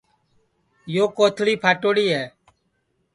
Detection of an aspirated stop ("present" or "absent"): present